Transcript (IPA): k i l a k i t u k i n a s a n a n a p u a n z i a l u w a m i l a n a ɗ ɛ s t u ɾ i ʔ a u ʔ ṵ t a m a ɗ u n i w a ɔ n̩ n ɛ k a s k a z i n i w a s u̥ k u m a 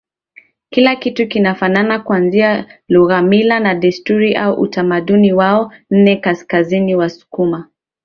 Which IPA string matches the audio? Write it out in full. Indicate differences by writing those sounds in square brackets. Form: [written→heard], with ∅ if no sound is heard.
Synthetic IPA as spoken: k i l a k i t u k i n a [s→f] a n a n a [p→k] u a n z i a l u [w→ɣ] a m i l a n a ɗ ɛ s t u ɾ i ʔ a u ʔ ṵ t a m a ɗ u n i w a ɔ n̩ n ɛ k a s k a z i n i w a s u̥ k u m a